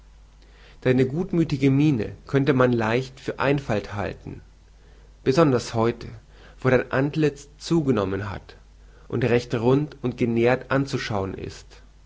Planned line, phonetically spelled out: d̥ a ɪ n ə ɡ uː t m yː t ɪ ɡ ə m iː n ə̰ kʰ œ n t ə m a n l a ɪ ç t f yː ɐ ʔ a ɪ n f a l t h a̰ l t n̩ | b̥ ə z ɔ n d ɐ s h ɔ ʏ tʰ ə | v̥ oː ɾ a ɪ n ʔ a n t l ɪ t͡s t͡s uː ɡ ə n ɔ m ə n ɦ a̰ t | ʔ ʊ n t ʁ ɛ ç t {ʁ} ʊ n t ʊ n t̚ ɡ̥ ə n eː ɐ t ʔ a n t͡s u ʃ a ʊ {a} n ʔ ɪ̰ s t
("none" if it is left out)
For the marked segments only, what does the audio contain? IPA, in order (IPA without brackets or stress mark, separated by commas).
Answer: ʁ, ə